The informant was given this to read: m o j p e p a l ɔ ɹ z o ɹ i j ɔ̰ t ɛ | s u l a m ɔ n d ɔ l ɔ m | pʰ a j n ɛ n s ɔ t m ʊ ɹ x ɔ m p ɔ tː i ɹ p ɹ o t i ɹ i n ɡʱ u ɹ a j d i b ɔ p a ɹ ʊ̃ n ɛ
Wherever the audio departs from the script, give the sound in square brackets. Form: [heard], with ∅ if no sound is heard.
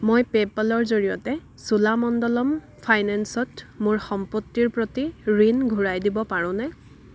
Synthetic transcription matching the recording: m o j p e p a l ɔ ɹ z o ɹ i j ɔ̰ t ɛ | s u l a m ɔ n d ɔ l ɔ m | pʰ a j n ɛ n s ɔ t m ʊ ɹ x ɔ m p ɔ tː i ɹ p ɹ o t i ɹ i n ɡʱ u ɹ a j d i b ɔ p a ɹ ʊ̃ n ɛ